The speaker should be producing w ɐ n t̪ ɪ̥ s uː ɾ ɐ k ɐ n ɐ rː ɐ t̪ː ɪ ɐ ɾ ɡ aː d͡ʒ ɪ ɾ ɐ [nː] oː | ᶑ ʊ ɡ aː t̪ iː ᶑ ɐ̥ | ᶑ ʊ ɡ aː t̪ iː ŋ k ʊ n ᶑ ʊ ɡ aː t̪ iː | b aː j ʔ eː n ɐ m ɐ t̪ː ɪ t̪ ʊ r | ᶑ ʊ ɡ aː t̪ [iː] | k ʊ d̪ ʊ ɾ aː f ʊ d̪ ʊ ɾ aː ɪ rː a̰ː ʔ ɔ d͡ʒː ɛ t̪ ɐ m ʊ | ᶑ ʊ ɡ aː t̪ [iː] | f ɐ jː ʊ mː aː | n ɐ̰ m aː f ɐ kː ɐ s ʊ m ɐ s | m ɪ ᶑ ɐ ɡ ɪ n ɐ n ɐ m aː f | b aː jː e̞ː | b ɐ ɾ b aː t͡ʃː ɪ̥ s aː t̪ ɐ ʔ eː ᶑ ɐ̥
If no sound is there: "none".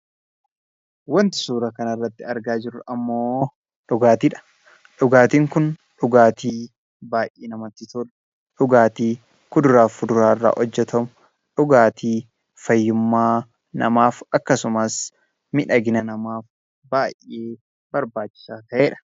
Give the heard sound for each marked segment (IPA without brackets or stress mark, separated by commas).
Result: mː, iː, iː